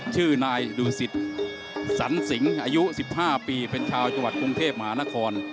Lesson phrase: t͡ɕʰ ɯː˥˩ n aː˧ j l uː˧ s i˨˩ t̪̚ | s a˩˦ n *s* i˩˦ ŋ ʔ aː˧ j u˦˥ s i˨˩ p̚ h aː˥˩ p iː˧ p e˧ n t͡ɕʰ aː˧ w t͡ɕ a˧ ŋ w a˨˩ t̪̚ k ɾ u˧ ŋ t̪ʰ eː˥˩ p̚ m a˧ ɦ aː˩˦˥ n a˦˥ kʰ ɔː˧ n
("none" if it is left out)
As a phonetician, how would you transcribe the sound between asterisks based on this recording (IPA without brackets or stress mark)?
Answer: s